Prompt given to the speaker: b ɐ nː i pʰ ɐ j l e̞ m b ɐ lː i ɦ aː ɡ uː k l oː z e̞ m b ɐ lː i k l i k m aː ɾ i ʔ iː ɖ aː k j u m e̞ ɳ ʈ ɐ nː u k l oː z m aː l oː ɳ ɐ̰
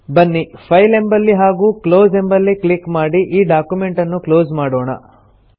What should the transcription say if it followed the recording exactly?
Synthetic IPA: b ɐ nː i pʰ ɐ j l e̞ m b ɐ lː i ɦ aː ɡ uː k l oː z e̞ m b ɐ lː i k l i k m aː ɽ i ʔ iː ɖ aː k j u m e̞ ɳ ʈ ɐ nː u k l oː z m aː ɽ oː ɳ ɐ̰

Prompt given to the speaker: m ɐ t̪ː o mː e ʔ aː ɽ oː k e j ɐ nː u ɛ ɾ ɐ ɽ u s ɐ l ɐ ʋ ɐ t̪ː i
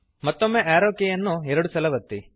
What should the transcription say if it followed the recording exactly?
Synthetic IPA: m ɐ t̪ː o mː e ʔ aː ɾ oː k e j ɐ nː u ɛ ɾ ɐ ɽ u s ɐ l ɐ ʋ ɐ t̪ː i

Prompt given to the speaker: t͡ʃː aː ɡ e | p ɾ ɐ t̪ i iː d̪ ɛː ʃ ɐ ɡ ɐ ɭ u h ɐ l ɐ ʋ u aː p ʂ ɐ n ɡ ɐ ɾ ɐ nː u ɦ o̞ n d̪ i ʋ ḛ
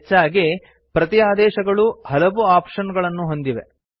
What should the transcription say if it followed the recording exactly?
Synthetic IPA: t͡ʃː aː ɡ e | p ɾ ɐ t̪ i aː d̪ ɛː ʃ ɐ ɡ ɐ ɭ u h ɐ l ɐ ʋ u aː p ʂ ɐ n ɡ ɐ ɭ ɐ nː u ɦ o̞ n d̪ i ʋ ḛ

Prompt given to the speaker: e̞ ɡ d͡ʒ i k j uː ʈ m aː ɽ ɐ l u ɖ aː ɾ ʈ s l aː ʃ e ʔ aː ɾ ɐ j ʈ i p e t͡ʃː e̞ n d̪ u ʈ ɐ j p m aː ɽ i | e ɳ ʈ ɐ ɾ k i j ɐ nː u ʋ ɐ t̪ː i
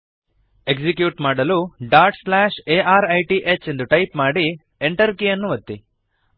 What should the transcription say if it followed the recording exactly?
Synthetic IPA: e̞ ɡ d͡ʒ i k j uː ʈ m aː ɽ ɐ l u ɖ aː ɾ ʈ s l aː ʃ e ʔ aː ɾ ɐ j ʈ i ʔ e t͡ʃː e̞ n d̪ u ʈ ɐ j p m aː ɽ i | e ɳ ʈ ɐ ɾ k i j ɐ nː u ʋ ɐ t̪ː i

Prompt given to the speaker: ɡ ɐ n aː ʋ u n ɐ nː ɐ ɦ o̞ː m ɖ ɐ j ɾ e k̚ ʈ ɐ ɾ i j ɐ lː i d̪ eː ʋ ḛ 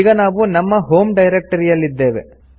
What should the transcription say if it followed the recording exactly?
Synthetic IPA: ɡ ɐ n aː ʋ u n ɐ mː ɐ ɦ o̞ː m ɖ ɐ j ɾ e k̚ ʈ ɐ ɾ i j ɐ lː i d̪ː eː ʋ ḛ

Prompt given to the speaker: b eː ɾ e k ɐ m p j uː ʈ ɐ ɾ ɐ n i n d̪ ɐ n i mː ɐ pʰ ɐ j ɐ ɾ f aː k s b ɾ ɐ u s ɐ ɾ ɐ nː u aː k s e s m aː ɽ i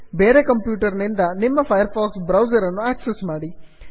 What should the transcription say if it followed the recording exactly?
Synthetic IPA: b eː ɾ e k ɐ m p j uː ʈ ɐ ɾ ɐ n i n d̪ ɐ n i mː ɐ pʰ ɐ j ɐ ɾ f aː k s b ɾ ɐ w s ɐ ɾ ɐ nː u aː k s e s m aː ɽ i

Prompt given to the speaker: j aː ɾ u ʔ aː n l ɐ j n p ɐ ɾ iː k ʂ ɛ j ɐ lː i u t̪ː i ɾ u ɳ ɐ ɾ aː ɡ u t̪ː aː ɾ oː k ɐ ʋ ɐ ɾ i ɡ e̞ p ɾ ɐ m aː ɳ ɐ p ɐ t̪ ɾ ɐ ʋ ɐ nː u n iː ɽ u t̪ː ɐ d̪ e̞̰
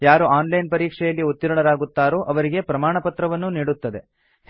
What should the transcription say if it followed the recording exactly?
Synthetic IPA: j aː ɾ u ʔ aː n l ɐ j n p ɐ ɾ iː k ʂ ɛ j ɐ lː i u t̪ː i ɾ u ɳ ɐ ɾ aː ɡ u t̪ː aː ɾ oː ʔ ɐ ʋ ɐ ɾ i ɡ e̞ p ɾ ɐ m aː ɳ ɐ p ɐ t̪ ɾ ɐ ʋ ɐ nː u n iː ɽ u t̪ː ɐ d̪ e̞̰

